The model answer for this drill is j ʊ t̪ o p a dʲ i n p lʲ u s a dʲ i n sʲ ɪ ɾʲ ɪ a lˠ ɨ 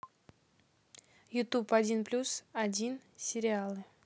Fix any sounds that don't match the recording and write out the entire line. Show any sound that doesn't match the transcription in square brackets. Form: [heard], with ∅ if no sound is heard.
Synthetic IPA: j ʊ t̪ [u] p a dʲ i n p lʲ u s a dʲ i n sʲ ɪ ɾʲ ɪ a lˠ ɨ